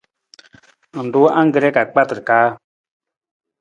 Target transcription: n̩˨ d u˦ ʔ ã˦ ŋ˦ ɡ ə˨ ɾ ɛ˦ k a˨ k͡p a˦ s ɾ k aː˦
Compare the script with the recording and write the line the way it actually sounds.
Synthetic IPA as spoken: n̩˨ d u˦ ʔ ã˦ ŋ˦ ɡ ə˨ ɾ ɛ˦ k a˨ k͡p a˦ t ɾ k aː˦